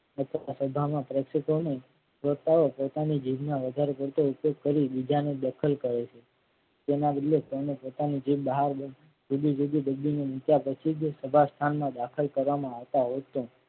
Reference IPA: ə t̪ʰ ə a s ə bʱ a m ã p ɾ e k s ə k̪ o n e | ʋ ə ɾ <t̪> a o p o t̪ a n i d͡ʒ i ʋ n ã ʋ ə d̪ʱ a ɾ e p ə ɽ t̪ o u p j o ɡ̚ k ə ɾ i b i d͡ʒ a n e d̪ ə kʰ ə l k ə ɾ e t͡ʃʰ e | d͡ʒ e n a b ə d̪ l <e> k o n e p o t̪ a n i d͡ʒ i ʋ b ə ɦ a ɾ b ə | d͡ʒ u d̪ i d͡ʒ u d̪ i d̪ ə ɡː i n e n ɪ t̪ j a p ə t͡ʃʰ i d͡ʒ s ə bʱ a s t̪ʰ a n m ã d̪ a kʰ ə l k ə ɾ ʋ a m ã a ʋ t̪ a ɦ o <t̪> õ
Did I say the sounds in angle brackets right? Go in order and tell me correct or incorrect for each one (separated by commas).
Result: correct, correct, correct